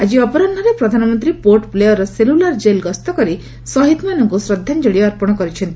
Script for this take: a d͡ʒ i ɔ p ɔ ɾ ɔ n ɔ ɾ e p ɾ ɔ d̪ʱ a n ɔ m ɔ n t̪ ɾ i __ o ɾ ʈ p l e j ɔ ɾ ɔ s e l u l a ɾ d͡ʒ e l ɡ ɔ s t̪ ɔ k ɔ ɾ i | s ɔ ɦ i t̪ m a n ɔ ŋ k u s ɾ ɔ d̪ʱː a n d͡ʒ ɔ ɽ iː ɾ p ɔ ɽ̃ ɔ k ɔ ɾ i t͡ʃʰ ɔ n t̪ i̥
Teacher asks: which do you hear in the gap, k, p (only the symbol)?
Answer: p